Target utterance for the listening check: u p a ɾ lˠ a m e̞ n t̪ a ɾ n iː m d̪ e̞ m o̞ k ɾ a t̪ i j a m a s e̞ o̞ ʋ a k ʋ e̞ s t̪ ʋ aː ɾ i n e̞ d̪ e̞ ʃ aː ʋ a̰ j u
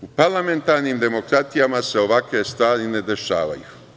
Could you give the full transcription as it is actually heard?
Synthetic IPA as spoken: u p a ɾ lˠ a m e̞ n t̪ a ɾ n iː m d̪ e̞ m o̞ k ɾ a t̪ i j a m a s e̞ o̞ ʋ a k ʋ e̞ s t̪ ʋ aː ɾ i n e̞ d̪ e̞ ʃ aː ʋ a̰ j u